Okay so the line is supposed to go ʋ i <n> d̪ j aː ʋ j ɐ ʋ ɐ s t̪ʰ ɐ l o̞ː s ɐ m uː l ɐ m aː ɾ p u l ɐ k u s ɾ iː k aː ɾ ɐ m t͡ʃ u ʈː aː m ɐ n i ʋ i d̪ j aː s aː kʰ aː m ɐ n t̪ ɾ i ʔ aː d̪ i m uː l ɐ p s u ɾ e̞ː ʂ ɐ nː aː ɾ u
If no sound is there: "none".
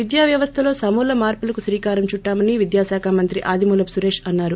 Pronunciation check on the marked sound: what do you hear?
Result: none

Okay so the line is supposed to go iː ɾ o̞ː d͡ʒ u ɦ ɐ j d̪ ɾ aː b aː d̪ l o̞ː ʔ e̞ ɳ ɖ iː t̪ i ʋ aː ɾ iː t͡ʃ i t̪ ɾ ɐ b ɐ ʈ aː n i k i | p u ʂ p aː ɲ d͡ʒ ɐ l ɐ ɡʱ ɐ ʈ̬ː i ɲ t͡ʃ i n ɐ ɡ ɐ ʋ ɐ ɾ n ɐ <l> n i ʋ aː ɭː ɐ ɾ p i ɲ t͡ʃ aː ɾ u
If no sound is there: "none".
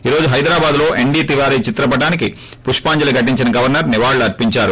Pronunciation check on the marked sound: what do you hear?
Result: ɾ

